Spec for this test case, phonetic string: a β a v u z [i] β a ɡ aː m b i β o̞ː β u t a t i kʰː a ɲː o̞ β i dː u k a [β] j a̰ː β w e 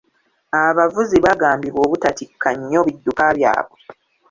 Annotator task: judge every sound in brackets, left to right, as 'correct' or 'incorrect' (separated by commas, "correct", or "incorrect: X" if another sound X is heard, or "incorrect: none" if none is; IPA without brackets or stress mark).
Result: correct, correct